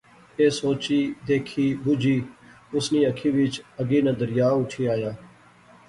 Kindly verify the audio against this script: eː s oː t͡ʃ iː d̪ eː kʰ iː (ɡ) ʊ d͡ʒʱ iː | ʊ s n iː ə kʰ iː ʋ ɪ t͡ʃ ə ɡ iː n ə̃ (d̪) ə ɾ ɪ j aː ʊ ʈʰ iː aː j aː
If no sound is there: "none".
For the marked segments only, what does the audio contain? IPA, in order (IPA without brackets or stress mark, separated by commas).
b, d̪